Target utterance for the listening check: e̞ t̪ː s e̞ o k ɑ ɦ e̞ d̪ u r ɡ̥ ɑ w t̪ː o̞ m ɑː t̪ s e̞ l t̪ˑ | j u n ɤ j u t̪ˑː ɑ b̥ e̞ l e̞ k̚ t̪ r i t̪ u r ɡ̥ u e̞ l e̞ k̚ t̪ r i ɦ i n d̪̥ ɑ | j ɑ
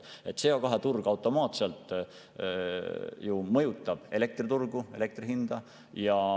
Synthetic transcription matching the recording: e̞ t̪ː s e̞ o k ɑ ɦ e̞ t̪ u r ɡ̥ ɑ w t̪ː o̞ m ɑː t̪ s e̞ l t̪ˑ | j u m ɤ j u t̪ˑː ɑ b̥ e̞ l e̞ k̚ t̪ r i t̪ u r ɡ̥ u e̞ l e̞ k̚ t̪ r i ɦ i n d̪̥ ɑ | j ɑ